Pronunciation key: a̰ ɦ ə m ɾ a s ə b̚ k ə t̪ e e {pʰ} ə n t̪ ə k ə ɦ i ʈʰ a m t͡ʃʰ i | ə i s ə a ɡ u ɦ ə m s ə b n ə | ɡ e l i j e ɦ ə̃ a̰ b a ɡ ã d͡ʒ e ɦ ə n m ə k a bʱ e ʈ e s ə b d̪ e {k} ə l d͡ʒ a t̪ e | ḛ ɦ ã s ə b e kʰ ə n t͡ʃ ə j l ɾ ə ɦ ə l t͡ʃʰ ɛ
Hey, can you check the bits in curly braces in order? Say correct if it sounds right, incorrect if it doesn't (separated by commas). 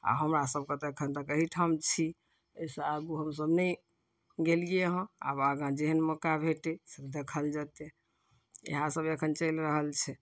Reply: incorrect, incorrect